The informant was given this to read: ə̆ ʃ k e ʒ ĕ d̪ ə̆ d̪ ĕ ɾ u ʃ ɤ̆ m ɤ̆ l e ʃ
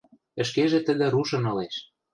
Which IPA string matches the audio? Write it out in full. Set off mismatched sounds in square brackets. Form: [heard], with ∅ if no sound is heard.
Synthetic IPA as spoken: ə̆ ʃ k e ʒ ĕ [t̪] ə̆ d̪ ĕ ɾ u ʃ ɤ̆ [n] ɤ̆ l e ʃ